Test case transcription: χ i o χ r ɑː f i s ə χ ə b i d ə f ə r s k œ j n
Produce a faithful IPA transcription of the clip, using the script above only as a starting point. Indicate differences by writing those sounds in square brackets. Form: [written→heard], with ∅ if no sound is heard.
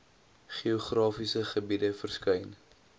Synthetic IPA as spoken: χ i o χ r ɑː f i s ə χ ə b i d ə f ə r s k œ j n